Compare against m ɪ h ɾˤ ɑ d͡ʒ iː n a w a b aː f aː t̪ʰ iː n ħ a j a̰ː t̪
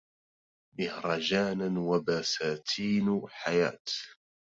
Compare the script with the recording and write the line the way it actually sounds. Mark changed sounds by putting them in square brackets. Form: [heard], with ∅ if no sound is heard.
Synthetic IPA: m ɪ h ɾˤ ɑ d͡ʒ [aː] n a w a b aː [s] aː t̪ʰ iː n ħ a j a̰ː t̪

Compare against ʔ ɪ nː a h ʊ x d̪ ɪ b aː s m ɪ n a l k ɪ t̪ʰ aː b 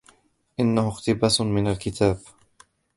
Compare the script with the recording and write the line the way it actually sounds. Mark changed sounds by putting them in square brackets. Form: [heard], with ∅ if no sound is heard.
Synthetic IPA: ʔ ɪ nː a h ʊ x [t̪] ɪ b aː s m ɪ n a l k ɪ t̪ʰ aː b

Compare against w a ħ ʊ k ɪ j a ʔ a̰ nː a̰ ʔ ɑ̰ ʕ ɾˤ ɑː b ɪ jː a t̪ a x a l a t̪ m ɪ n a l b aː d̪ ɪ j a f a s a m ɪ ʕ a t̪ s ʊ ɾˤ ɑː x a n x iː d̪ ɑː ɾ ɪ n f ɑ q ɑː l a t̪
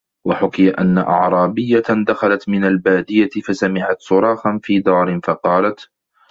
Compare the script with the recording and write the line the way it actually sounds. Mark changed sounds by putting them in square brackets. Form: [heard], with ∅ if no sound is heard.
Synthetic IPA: w a ħ ʊ k ɪ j a ʔ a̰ nː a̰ ʔ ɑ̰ ʕ ɾˤ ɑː b ɪ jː a [d̪] a x a l a t̪ m ɪ n a l b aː d̪ ɪ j a f a s a m ɪ ʕ a t̪ s ʊ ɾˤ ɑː x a n [f] iː d̪ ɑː ɾ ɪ n f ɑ q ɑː l a t̪

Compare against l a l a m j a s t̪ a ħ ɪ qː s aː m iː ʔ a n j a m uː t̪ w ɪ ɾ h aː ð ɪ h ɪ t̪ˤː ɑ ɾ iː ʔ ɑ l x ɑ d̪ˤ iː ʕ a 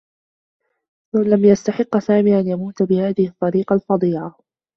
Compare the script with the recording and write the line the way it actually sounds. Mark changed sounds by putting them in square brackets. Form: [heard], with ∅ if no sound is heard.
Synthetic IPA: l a l a m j a s t̪ a ħ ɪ qː s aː m iː ʔ a n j a m uː t̪ [b] ɪ [∅] h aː ð ɪ h ɪ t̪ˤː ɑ ɾ iː [q] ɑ l [f] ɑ d̪ˤ iː ʕ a

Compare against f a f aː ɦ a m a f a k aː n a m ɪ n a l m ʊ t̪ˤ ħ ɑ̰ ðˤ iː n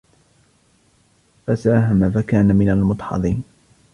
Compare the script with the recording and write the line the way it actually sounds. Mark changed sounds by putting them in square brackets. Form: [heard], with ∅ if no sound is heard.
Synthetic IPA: f a [s] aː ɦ a m a f a k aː n a m ɪ n a l m ʊ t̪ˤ ħ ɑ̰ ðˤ iː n

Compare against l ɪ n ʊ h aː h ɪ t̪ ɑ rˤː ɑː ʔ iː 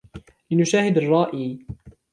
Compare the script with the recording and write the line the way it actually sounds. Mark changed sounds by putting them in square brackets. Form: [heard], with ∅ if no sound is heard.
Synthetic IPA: l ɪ n ʊ [ʃ] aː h ɪ [d̪] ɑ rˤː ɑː ʔ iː

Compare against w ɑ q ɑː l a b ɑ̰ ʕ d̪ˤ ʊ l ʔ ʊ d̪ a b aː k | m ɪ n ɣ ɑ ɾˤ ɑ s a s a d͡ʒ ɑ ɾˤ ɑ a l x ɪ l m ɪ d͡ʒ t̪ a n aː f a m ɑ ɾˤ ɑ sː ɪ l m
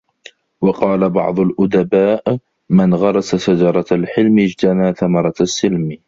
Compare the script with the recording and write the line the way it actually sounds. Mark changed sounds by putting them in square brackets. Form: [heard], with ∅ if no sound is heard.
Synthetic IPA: w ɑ q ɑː l a b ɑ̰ ʕ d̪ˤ ʊ l ʔ ʊ d̪ a b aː [ʔ] | m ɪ n ɣ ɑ ɾˤ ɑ s a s a d͡ʒ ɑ ɾˤ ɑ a l [ħ] ɪ l m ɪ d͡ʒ t̪ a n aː [θ] a m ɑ ɾˤ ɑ sː ɪ l m

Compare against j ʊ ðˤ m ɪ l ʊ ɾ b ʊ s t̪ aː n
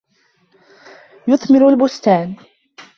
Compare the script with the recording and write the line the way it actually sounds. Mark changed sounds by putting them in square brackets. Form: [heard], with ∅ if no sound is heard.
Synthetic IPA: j ʊ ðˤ m ɪ [ɾ] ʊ [l] b ʊ s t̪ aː n

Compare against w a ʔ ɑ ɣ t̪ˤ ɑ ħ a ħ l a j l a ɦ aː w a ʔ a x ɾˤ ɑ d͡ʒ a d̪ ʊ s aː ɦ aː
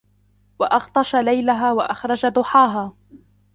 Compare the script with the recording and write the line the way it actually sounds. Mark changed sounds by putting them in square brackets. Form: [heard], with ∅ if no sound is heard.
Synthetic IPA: w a ʔ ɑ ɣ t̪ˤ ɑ [ʃ] a [∅] l a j l a ɦ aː w a ʔ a x ɾˤ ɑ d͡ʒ a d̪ ʊ [ħ] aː ɦ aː

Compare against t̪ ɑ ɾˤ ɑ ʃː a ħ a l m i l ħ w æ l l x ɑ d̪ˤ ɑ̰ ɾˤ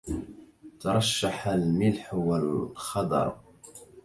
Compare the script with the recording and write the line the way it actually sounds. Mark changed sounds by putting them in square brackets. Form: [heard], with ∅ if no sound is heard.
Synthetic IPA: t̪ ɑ ɾˤ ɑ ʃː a ħ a l m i l ħ w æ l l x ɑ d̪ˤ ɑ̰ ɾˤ

